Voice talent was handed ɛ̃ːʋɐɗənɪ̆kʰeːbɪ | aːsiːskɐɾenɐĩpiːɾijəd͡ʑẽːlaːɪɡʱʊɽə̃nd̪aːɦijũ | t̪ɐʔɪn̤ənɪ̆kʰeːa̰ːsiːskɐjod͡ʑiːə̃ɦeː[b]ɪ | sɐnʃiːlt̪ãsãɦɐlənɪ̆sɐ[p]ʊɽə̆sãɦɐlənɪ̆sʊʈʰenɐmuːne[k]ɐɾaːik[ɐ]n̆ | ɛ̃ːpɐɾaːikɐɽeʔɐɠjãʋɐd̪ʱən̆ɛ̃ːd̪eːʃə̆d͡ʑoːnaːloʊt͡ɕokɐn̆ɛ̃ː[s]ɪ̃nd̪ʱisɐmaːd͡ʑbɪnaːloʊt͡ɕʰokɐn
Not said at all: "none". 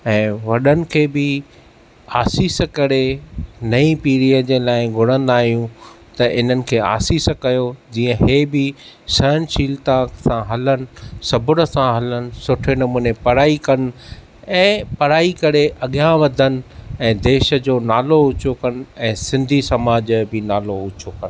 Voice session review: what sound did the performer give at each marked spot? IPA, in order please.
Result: b, b, p, ɐ, s

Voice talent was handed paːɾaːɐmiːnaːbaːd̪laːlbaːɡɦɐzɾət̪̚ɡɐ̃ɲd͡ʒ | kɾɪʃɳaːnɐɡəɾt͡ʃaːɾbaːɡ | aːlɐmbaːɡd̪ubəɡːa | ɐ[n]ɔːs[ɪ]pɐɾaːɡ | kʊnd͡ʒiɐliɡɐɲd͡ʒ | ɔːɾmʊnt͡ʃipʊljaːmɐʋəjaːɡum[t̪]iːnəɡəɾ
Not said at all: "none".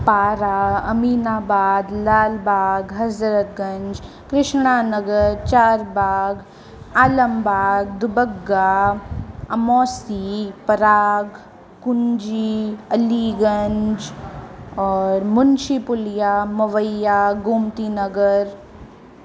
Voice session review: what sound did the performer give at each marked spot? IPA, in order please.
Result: m, i, t̪

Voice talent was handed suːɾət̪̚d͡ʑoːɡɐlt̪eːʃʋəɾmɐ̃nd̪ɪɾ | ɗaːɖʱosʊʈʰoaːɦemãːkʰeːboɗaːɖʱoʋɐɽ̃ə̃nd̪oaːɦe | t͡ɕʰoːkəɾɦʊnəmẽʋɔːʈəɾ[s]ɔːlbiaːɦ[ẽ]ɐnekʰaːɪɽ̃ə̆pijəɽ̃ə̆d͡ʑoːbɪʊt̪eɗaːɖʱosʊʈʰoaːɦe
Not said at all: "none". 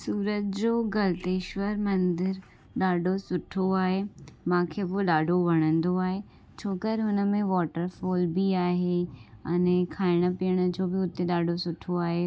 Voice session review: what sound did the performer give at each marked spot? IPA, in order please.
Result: f, e

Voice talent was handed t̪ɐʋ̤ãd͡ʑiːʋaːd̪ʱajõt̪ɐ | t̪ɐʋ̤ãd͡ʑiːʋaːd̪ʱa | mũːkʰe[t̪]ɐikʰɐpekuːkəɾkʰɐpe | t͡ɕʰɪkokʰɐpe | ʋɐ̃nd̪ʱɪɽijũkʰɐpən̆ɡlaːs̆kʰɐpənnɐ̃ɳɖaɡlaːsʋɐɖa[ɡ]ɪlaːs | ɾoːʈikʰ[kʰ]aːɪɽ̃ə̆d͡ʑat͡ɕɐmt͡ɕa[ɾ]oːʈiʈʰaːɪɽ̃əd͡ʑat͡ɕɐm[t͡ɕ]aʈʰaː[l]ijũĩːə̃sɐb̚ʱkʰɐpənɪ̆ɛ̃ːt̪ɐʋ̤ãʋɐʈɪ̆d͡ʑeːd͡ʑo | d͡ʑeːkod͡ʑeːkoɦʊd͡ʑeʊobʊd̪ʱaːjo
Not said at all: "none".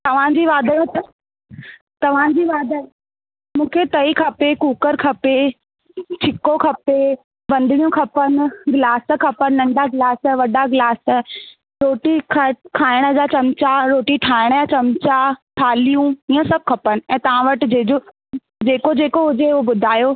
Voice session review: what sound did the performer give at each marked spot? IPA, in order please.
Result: t̪, ɡ, kʰ, ɾ, t͡ɕ, l

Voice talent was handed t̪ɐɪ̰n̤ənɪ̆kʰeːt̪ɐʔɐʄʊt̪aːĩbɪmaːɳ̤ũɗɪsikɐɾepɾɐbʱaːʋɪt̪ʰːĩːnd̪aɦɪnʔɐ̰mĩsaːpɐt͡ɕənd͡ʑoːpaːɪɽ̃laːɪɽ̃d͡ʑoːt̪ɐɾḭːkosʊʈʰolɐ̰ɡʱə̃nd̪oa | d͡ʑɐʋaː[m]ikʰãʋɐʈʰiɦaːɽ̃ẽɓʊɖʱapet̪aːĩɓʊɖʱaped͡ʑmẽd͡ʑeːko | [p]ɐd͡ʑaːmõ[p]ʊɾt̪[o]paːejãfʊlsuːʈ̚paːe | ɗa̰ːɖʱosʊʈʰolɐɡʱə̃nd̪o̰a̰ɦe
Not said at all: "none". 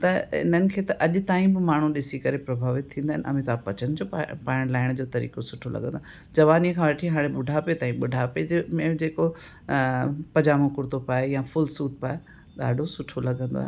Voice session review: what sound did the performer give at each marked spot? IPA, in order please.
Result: n, p, k, o

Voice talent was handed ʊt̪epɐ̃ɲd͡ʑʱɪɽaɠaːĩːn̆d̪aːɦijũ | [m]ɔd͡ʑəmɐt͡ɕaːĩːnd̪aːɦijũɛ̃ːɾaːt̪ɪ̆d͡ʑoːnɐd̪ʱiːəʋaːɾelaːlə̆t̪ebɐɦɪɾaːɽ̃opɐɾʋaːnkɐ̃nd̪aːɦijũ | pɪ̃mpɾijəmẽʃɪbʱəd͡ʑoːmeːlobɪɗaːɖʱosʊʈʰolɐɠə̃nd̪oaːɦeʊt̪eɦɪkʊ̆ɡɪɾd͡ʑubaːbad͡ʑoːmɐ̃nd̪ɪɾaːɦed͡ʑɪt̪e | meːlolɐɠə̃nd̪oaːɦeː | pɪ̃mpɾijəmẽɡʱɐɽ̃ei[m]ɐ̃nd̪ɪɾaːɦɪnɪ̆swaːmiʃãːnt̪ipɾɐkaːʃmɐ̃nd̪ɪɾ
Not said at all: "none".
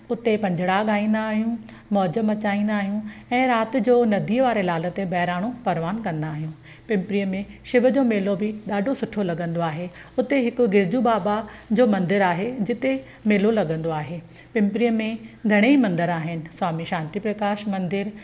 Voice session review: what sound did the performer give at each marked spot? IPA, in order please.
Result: m, m

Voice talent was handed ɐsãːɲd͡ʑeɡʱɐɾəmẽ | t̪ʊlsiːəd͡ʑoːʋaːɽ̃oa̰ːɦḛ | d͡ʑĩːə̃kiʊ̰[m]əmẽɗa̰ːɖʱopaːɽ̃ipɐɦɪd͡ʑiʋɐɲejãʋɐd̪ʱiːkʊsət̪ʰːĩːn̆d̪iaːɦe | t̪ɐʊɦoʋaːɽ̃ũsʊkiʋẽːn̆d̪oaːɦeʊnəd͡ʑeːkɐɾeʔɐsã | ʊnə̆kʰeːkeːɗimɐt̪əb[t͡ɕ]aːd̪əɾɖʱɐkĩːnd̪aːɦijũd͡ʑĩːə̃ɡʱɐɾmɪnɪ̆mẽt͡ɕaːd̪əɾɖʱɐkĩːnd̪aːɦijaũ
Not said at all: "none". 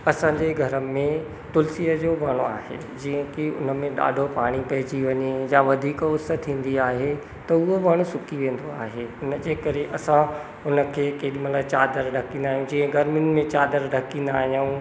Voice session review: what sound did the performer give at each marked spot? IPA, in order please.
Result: n, t͡ɕ

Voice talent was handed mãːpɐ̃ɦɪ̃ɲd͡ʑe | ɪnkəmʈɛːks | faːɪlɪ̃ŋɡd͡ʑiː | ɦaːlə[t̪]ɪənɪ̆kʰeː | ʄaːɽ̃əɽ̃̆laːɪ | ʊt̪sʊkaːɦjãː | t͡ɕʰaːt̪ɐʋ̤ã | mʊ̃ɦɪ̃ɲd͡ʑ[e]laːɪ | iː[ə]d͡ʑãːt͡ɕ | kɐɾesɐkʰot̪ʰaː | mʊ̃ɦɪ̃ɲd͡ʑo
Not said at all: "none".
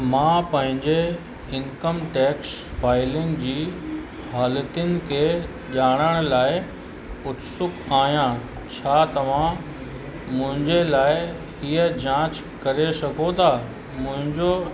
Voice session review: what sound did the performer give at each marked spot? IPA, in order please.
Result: t̪, e, ə

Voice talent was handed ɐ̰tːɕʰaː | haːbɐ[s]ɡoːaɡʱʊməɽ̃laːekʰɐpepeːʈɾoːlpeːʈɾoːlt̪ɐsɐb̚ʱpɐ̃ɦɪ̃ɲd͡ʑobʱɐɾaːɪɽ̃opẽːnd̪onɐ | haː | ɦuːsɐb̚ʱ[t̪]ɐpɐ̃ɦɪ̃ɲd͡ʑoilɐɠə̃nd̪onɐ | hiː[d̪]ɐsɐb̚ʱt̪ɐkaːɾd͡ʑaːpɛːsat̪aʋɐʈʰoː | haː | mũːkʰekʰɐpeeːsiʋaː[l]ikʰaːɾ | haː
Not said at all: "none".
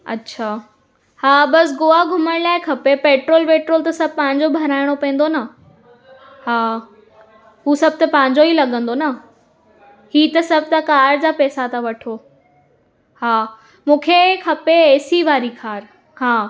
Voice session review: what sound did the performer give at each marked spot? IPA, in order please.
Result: s, t̪, t̪, ɾ

